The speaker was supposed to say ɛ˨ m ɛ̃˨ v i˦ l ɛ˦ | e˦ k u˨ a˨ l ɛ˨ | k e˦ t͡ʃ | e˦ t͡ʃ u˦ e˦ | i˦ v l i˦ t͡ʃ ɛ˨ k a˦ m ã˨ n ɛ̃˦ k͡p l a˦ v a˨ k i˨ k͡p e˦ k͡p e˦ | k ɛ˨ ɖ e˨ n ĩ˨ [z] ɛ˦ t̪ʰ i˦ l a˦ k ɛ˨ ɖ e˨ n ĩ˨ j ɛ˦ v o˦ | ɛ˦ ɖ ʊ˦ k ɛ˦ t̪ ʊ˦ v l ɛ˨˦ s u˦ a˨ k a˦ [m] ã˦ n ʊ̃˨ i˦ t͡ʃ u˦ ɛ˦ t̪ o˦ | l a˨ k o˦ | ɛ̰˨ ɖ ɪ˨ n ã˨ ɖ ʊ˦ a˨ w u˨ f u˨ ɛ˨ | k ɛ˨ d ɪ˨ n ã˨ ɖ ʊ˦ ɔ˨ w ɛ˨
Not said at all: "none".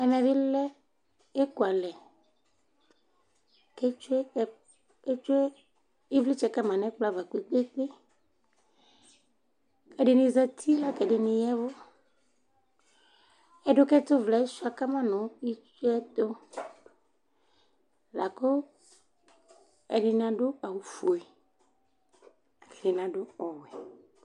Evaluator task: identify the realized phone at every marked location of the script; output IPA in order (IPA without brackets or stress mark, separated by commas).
z, m